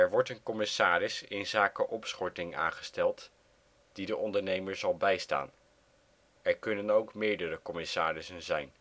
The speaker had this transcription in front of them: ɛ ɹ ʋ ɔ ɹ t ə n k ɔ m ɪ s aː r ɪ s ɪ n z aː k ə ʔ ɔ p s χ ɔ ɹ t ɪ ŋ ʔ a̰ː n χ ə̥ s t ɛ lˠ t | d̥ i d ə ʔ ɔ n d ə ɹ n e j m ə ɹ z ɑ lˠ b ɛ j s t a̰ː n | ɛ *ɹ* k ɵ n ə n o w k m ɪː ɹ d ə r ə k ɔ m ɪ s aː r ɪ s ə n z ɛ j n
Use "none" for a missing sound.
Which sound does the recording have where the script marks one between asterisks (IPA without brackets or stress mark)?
ɹ